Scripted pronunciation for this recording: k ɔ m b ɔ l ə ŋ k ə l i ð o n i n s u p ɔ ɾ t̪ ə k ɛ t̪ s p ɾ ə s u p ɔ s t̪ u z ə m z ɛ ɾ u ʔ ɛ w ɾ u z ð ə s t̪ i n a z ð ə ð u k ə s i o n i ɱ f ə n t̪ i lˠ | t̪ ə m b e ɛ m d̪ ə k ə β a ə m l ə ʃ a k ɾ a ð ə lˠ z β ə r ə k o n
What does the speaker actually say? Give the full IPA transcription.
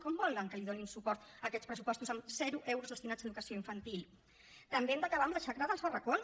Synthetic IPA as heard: k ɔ m b ɔ l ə ŋ k ə l i ð o n i n s u p ɔ ɾ t̪ ə k ɛ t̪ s p ɾ ə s u p ɔ s t̪ u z ə m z ɛ ɾ u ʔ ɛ w ɾ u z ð ə s t̪ i n a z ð ə ð u k ə s i o i ɱ f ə n t̪ i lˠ | t̪ ə m b e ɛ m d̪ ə k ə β a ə m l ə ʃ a k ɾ a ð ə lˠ z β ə r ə k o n